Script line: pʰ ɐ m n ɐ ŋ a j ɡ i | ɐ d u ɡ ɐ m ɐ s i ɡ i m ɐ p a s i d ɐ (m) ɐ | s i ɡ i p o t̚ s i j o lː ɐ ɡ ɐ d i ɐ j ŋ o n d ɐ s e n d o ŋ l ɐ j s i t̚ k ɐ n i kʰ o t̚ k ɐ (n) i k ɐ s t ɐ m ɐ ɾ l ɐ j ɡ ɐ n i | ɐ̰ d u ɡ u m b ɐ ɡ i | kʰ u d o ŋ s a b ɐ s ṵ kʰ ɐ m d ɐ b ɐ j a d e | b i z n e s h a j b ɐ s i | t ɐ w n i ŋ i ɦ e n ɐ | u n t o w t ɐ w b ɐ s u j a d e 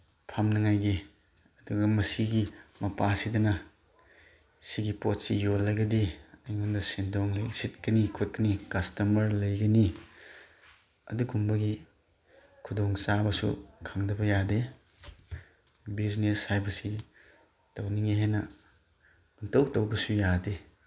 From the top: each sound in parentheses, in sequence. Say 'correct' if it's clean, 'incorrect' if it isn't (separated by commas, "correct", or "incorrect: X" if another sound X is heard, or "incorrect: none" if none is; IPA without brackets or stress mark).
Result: incorrect: n, correct